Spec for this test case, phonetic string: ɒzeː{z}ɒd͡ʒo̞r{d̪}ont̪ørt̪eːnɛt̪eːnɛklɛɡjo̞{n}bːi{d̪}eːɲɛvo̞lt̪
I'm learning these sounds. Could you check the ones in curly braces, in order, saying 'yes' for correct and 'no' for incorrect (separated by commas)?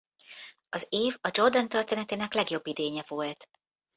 no, yes, no, yes